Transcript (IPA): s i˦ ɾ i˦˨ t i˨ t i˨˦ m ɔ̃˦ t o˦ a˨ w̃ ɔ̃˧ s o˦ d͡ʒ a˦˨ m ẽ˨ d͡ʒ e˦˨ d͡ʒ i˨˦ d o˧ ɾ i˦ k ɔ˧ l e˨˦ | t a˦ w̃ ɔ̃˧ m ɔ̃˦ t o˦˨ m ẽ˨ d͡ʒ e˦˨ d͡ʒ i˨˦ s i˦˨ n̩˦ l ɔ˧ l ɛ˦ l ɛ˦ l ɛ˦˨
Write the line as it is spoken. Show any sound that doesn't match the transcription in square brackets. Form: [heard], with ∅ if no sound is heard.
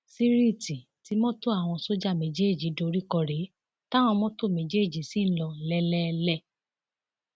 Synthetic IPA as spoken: s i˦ ɾ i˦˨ t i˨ t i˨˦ m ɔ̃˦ t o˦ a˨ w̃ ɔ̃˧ s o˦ d͡ʒ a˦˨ m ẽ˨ d͡ʒ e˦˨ d͡ʒ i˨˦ d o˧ ɾ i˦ k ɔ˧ [ɾ] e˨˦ | t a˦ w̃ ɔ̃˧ m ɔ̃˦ t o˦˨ m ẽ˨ d͡ʒ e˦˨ d͡ʒ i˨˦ s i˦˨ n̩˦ l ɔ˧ l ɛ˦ l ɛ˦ l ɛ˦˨